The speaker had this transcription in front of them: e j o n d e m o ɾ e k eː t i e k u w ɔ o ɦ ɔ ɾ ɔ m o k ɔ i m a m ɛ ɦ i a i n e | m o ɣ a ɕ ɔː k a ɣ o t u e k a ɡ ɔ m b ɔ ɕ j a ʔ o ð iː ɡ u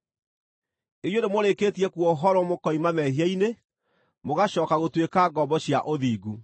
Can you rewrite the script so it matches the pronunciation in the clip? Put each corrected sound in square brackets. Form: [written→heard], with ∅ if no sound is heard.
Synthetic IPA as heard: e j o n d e m o ɾ e k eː t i [e→ɛ] k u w ɔ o ɦ ɔ ɾ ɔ m o k ɔ i m a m ɛ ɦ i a i n e | m o ɣ a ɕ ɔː k a ɣ o t [u→w] e k a ɡ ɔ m b ɔ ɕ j a ʔ o ð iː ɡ u